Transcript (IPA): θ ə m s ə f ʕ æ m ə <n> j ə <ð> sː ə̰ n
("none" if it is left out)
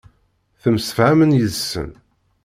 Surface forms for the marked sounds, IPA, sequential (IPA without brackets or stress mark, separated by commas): n, ð